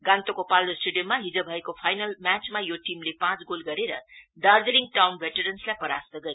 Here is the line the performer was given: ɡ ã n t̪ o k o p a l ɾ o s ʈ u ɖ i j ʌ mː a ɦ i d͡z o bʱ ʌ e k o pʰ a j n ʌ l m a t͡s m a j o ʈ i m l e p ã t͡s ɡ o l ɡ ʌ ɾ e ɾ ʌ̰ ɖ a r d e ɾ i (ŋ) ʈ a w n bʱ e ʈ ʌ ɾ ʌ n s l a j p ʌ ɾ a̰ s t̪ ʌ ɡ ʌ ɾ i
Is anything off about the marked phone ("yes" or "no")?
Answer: no